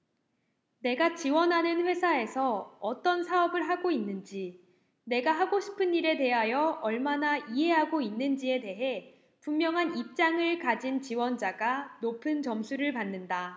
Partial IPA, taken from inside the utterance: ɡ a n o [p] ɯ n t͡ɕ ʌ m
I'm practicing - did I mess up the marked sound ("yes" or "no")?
yes